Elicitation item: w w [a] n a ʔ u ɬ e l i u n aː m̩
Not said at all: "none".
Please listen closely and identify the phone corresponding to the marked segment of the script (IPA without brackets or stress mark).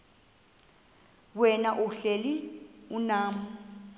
ɛ